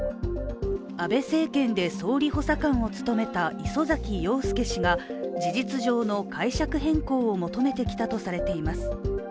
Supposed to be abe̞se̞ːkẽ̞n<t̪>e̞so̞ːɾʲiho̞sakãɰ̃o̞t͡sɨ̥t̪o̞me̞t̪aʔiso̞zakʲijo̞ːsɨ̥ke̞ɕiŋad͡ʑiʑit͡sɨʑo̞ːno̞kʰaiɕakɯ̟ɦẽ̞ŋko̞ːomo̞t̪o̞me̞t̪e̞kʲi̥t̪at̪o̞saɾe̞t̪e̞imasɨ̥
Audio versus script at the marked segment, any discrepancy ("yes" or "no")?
yes